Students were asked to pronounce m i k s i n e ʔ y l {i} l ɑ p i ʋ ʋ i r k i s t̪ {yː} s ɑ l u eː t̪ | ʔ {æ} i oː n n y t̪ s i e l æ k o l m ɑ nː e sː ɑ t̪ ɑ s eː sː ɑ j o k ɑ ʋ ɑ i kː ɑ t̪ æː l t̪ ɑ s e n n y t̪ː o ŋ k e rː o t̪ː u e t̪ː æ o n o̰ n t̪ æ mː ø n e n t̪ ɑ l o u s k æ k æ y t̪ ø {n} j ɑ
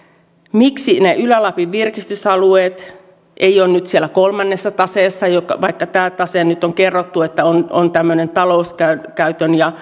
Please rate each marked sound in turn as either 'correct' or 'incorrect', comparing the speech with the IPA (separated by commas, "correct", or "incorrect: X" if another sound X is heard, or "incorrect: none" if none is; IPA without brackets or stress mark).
incorrect: æ, incorrect: y, incorrect: e, correct